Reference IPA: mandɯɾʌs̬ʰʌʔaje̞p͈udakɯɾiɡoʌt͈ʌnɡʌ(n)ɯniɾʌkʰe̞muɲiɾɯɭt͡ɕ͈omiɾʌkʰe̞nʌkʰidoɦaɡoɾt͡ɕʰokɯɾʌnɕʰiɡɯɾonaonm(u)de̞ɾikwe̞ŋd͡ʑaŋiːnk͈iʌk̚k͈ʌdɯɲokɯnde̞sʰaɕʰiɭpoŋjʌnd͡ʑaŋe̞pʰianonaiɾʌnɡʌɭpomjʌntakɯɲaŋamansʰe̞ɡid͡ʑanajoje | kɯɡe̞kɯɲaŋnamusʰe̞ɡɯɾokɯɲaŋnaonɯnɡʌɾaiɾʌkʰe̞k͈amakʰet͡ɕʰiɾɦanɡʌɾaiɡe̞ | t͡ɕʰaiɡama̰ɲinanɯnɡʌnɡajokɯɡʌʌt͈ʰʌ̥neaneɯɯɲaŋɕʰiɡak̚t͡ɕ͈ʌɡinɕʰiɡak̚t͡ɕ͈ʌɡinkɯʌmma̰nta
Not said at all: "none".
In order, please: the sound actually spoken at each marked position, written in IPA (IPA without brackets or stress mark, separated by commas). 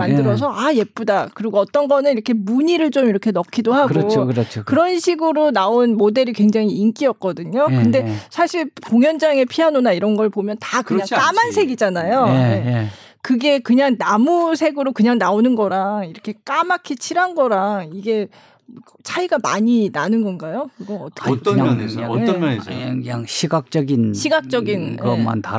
n, o